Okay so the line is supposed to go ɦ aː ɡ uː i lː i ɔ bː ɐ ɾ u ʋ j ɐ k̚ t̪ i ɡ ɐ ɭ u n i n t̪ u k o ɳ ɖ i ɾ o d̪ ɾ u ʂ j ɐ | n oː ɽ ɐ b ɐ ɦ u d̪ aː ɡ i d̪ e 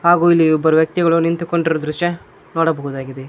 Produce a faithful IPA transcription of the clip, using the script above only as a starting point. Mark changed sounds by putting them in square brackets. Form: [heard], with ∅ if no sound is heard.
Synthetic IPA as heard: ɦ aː ɡ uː i lː i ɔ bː ɐ ɾ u ʋ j ɐ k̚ t̪ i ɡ ɐ ɭ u n i n t̪ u k o ɳ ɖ i ɾ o d̪ ɾ u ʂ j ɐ | n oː ɽ ɐ b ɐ ɦ u d̪ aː ɡ i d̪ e